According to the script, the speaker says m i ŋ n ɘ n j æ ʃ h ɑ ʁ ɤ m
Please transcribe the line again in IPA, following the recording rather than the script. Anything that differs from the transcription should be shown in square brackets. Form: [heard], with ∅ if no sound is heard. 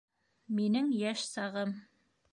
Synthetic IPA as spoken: m i [∅] n ɘ [ŋ] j æ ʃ [s] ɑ ʁ ɤ m